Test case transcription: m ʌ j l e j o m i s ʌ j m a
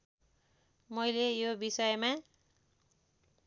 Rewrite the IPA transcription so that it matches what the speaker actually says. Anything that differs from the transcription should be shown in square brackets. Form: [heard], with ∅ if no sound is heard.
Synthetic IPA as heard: m ʌ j l e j o [b] i s ʌ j m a